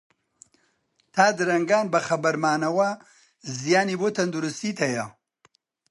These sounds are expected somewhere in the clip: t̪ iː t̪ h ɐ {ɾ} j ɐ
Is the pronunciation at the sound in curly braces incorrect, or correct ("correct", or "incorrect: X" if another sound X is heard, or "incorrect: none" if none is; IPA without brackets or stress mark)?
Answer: incorrect: none